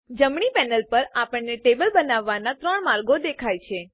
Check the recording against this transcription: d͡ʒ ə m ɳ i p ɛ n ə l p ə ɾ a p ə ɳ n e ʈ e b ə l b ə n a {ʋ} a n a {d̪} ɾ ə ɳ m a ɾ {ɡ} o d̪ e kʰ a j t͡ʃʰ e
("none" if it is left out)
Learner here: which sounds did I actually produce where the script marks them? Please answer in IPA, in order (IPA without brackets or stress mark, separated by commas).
ʋː, t̪, ɡ